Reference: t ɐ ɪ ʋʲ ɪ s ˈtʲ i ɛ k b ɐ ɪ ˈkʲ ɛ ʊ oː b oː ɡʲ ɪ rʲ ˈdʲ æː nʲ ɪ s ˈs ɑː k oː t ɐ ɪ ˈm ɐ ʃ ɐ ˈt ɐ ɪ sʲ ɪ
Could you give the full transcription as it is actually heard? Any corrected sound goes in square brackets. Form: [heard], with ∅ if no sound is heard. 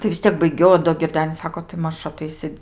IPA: t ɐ ɪ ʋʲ ɪ s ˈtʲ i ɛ k b ɐ ɪ [ˈɡʲ] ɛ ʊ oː [d] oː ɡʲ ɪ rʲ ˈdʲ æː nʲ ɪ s ˈs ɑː k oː t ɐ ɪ ˈm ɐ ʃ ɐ ˈt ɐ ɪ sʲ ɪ